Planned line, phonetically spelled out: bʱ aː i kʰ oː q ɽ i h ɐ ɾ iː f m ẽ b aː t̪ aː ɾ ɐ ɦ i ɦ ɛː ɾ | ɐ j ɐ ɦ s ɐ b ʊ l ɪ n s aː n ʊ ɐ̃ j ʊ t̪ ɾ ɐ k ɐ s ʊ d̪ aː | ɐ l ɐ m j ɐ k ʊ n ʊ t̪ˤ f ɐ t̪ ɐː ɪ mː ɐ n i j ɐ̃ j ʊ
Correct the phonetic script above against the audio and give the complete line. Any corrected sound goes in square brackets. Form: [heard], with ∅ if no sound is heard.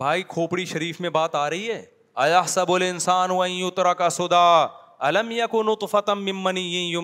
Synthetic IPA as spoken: bʱ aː i kʰ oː [p] ɽ i [ʃ] ɐ ɾ iː f m ẽ b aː t̪ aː ɾ ɐ ɦ i ɦ ɛː [∅] | ɐ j ɐ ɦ s ɐ b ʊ l ɪ n s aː n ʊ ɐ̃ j ʊ t̪ ɾ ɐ k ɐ s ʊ d̪ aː | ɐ l ɐ m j ɐ k ʊ n ʊ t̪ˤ f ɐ t̪ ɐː ɪ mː ɐ n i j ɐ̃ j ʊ